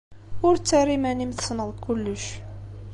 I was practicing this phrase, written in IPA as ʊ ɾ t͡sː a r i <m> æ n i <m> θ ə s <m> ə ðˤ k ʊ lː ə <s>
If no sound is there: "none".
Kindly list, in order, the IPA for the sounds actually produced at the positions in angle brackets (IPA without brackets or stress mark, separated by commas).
m, m, n, ʃ